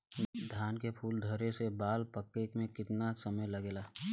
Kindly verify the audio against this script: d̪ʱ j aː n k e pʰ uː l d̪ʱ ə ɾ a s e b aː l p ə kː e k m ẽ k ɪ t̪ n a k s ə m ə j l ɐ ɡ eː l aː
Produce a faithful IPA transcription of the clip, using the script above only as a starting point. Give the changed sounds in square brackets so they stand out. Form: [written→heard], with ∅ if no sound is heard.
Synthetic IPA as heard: d̪ʱ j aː n k e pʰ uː l d̪ʱ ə ɾ [a→e] s e b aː l p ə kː e k m ẽ k ɪ t̪ n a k s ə m ə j l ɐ ɡ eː l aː